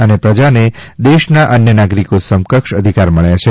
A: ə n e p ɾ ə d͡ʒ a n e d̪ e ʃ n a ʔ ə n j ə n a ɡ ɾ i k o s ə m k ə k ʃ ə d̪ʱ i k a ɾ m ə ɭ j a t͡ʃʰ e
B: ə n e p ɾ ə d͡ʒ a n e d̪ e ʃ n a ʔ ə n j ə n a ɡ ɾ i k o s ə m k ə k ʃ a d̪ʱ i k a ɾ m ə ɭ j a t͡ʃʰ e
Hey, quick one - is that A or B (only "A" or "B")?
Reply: A